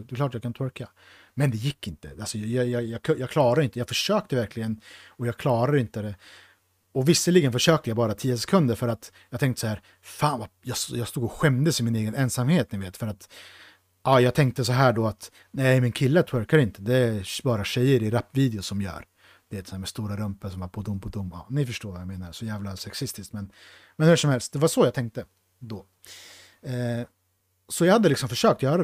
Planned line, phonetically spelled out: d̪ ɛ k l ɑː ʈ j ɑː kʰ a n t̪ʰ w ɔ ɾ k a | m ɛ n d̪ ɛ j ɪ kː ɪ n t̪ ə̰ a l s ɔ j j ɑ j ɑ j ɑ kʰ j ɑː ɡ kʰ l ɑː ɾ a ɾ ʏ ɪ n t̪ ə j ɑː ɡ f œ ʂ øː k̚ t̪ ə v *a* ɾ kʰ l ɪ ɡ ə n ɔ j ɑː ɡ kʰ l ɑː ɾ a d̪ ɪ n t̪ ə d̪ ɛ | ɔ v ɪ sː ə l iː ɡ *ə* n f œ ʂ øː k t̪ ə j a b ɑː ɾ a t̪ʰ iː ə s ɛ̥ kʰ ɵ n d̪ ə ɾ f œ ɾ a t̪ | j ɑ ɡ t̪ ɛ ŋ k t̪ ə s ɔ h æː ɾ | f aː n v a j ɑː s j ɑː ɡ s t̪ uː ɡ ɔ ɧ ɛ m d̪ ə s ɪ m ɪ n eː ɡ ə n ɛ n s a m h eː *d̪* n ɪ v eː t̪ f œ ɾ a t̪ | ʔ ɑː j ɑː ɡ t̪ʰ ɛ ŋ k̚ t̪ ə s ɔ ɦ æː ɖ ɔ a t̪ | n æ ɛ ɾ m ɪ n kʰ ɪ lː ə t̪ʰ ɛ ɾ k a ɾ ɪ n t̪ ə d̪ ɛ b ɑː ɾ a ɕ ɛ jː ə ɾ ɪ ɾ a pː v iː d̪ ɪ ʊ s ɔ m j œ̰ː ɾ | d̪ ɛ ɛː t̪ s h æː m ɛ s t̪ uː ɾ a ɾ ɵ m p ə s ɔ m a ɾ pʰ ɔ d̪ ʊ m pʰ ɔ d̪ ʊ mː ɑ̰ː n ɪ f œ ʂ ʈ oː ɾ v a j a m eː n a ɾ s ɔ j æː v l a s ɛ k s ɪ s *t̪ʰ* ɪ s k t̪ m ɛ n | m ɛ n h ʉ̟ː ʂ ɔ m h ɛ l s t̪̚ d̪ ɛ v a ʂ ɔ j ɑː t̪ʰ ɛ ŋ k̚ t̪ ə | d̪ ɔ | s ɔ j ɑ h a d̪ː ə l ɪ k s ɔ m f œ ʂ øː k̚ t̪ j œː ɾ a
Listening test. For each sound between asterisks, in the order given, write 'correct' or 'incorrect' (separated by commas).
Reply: incorrect, correct, incorrect, incorrect